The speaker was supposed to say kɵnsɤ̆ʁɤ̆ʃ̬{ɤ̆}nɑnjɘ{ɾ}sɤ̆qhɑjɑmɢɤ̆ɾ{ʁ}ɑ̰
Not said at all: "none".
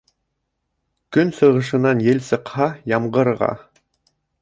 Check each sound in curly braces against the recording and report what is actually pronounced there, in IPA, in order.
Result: ɤ̆, l, ʁ

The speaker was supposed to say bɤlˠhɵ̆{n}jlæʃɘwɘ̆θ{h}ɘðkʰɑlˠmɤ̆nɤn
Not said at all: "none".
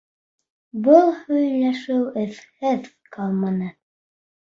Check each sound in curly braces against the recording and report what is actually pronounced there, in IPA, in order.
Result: none, h

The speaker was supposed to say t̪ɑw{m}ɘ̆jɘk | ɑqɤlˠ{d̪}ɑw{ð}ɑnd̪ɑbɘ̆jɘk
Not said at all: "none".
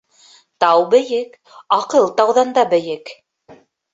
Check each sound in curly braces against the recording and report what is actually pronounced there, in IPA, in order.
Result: b, t̪, ð

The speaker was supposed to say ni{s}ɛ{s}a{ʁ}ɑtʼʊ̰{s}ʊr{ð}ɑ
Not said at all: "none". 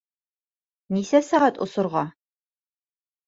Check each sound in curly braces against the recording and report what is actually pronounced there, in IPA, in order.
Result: s, s, ʁ, s, ʁ

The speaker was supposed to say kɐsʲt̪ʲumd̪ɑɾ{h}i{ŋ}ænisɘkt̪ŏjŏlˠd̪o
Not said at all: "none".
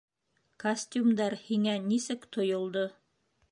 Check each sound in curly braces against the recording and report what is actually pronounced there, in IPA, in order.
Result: h, ŋ

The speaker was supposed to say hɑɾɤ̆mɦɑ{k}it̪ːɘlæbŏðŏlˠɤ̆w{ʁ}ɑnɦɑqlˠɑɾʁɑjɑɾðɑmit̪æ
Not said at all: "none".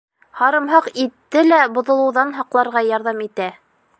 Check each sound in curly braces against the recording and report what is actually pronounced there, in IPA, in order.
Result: q, ð

